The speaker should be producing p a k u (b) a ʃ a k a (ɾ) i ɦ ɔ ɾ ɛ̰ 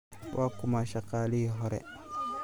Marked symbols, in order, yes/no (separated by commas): no, no